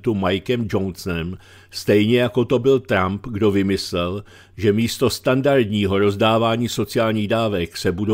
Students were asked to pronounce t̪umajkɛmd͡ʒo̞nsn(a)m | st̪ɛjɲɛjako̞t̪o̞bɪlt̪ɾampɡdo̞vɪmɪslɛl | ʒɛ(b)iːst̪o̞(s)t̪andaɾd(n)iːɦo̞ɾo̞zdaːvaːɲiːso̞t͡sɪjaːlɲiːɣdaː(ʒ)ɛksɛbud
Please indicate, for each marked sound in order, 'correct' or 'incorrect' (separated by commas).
incorrect, incorrect, correct, incorrect, incorrect